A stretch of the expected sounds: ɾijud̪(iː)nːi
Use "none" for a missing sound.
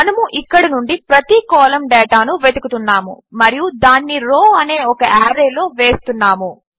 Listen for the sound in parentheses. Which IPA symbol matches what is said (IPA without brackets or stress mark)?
aː